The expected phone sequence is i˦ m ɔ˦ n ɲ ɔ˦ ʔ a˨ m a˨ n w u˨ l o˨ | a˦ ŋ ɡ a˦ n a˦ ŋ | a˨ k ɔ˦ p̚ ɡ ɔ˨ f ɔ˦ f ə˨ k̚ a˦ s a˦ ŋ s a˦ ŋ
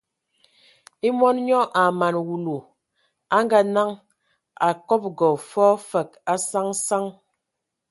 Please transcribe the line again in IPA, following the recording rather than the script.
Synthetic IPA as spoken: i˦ m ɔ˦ n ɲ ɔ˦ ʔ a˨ m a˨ n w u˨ l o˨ | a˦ ŋ ɡ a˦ n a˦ ŋ | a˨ k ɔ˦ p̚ ɡ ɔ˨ f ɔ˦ f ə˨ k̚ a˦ s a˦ ŋ s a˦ ŋ

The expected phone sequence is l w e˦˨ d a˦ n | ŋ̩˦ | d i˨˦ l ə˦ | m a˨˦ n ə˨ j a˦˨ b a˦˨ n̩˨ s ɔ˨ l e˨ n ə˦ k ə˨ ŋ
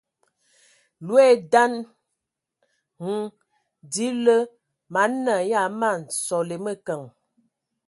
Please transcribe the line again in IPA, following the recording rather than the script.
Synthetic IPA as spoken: l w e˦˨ d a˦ n | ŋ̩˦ | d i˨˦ l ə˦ | m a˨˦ n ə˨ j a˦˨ m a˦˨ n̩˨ s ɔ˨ l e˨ m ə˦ k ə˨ ŋ

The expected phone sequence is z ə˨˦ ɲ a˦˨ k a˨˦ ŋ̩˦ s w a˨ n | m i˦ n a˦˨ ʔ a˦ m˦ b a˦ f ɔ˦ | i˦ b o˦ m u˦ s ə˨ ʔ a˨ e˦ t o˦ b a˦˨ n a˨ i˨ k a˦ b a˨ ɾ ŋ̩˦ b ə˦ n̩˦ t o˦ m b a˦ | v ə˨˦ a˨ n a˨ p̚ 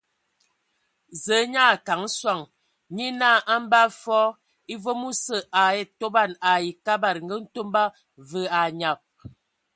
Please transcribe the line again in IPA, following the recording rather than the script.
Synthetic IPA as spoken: z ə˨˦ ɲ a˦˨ k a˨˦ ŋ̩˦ s w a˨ ŋ | ɲ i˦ n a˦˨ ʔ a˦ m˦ b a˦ f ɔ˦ | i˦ v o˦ m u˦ s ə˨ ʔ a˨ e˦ t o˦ b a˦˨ n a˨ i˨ k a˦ b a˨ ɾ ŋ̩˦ ɡ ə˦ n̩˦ t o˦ m b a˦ | v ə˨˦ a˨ ɲ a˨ p̚

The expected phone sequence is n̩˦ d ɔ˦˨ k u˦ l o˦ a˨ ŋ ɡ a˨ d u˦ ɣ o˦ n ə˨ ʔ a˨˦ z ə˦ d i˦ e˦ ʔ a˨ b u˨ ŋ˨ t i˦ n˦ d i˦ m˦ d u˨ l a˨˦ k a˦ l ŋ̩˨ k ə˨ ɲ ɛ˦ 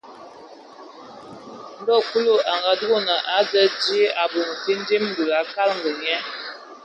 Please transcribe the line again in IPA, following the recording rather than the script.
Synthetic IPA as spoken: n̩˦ d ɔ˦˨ k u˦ l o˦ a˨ ŋ ɡ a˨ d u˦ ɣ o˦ n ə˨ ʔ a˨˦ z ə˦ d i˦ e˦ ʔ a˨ b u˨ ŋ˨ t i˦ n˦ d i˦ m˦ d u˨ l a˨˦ k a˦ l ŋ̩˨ ɡ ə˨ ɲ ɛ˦

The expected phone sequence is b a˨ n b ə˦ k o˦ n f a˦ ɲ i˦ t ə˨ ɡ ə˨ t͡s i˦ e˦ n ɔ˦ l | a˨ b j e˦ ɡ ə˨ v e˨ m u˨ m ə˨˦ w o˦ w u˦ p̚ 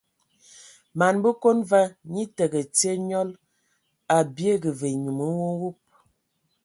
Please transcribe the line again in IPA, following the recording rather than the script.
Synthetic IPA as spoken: m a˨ n b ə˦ k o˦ n v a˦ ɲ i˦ t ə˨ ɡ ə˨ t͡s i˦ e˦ ɲ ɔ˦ l | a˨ b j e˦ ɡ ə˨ v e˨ ɲ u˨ m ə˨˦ w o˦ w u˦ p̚

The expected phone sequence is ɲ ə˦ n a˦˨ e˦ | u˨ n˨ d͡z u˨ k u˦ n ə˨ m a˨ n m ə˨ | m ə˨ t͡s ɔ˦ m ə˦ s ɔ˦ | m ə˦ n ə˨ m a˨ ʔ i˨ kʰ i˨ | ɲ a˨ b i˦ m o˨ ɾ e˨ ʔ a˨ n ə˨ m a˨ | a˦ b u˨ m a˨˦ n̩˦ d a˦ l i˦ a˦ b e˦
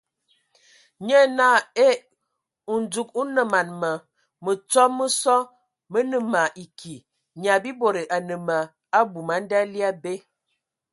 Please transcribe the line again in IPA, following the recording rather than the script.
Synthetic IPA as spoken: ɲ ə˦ n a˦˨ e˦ | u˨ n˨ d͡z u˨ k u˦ n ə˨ m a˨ n m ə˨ | m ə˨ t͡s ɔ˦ m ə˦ s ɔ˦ | m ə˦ n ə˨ m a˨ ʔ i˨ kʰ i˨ | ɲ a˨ b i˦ b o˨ ɾ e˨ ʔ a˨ n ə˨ m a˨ | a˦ b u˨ m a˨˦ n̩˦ d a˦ l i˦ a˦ b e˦

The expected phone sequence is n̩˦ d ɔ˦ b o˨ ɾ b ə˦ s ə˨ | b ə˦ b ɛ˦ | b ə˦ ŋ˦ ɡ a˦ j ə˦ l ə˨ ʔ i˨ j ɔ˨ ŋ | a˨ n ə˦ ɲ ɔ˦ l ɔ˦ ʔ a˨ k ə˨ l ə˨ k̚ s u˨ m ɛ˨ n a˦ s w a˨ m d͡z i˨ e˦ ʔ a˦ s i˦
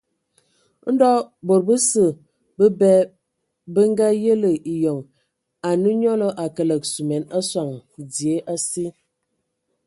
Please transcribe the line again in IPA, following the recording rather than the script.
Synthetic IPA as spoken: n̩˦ d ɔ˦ b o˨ ɾ b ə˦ s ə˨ | b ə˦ b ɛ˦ | b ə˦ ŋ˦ ɡ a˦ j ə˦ l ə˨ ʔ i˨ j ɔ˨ ŋ | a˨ n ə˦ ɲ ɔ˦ l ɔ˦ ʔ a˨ k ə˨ l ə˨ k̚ s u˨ m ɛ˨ n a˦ s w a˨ ŋ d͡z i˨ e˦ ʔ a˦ s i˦

